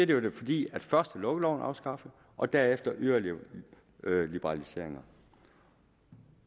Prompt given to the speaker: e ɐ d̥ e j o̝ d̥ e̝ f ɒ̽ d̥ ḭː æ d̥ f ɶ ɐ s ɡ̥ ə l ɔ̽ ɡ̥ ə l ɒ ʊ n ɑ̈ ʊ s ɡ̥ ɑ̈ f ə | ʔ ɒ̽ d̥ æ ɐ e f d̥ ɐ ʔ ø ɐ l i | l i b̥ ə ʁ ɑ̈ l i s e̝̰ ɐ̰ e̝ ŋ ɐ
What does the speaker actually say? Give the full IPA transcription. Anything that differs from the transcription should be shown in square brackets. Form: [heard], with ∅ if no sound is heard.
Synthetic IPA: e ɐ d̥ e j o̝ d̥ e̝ f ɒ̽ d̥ ḭː æ d̥ f ɶ ɐ s [d̥] ə l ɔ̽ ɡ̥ ə l ɒ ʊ n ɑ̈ ʊ s ɡ̥ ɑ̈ f ə | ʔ ɒ̽ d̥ æ ɐ e f d̥ ɐ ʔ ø ɐ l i | l i b̥ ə ʁ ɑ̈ l i s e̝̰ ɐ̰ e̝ ŋ ɐ